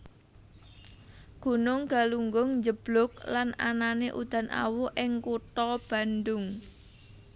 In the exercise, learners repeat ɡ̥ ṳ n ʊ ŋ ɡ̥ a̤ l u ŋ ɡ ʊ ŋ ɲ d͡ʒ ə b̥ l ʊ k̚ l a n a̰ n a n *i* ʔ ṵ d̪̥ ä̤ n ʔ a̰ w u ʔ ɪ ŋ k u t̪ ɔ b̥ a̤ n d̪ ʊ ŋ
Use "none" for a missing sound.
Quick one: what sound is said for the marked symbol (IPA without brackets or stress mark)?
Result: e